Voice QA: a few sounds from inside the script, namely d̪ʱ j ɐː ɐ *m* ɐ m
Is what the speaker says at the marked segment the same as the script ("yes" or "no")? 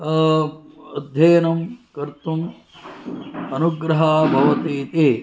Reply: no